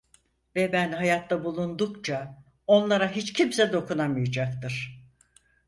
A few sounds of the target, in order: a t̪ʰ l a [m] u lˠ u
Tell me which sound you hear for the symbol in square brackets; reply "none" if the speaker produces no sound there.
b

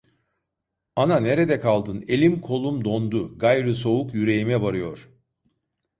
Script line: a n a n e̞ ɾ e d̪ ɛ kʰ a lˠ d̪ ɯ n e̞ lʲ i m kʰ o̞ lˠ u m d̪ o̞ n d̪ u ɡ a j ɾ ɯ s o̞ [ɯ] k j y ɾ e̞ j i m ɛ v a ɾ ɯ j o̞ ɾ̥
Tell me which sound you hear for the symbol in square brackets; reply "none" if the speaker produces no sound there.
u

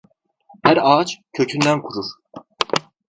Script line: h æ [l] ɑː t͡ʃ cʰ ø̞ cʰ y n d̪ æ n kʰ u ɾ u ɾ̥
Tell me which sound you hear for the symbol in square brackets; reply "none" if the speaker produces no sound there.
ɾ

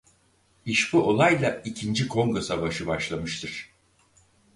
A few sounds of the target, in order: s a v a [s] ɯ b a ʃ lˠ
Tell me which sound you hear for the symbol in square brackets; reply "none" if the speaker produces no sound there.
ʃ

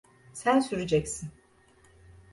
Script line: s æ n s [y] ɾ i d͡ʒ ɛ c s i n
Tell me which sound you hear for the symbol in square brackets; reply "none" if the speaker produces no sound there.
y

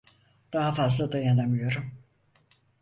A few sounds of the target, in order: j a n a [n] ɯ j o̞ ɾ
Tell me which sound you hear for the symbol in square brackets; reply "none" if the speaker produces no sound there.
m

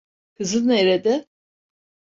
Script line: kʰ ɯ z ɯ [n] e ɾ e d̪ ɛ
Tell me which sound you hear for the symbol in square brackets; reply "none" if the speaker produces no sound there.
n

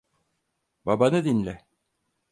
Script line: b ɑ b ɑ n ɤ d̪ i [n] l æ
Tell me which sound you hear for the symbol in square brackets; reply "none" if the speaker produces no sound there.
n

